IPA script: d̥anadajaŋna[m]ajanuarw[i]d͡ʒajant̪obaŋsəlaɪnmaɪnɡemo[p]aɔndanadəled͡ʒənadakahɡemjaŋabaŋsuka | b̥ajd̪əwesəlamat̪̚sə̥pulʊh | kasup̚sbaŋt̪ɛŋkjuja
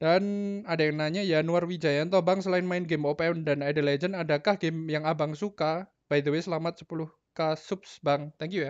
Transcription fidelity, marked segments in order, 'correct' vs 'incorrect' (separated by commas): incorrect, correct, correct